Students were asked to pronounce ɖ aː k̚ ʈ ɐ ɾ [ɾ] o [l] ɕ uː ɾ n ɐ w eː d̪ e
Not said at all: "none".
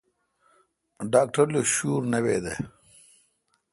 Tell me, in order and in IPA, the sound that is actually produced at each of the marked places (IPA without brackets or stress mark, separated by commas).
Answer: l, none